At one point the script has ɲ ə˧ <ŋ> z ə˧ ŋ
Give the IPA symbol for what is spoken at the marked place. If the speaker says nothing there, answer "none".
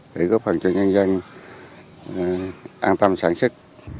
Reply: n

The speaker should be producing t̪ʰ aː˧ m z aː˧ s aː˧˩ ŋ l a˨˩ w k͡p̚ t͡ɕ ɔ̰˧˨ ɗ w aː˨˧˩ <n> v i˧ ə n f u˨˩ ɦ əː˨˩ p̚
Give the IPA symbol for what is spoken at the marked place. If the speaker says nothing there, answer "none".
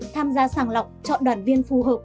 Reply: n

